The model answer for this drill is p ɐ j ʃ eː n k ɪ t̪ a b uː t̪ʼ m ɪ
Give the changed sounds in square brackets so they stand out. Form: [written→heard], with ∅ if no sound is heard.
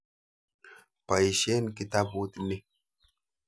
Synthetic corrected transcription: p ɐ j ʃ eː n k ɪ t̪ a b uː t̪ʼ [m→n] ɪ